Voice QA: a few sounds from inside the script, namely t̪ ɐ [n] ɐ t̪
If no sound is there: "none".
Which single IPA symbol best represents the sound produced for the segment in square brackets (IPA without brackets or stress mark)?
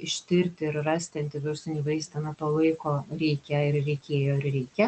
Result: n